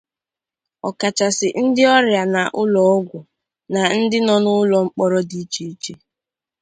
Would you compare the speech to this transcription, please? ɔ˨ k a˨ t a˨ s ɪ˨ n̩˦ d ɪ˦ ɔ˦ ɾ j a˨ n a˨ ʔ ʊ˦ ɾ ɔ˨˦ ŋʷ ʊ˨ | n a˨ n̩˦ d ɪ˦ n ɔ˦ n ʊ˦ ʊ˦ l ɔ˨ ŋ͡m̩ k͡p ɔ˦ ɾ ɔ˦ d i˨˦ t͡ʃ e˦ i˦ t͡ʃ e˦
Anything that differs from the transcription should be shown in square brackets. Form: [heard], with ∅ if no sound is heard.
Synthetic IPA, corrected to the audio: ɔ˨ k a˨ [t͡ʃ] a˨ s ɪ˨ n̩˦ d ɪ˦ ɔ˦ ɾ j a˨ n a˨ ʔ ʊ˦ [l] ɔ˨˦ [ɡʷ] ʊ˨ | n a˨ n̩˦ d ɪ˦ n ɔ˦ n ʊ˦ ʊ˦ l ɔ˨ ŋ͡m̩ k͡p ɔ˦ ɾ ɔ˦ d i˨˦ t͡ʃ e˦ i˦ t͡ʃ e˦